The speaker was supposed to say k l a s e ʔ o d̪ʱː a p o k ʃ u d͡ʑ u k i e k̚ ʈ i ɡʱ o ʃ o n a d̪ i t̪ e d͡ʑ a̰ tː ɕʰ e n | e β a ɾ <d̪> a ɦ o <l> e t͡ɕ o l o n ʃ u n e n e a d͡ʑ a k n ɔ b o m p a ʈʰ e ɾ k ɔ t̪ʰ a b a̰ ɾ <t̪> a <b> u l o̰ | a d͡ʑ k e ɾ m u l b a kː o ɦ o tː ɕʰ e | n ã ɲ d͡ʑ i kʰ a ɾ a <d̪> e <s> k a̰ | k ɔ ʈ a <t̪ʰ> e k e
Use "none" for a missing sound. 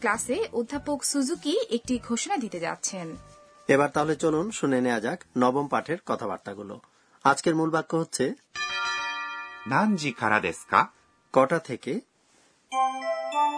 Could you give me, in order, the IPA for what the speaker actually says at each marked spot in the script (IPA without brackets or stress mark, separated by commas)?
t̪, l, t̪, ɡ, d̪, s, t̪ʰ